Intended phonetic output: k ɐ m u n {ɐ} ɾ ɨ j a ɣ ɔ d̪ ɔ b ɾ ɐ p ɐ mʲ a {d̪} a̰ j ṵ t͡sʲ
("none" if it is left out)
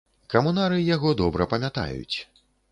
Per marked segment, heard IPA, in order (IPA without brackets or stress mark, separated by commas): a, t̪